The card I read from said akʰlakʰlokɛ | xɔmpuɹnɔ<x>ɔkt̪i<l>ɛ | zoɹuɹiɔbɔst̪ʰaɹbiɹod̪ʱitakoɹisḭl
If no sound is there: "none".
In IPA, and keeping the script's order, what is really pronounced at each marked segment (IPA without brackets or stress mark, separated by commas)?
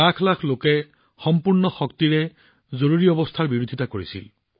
x, ɹ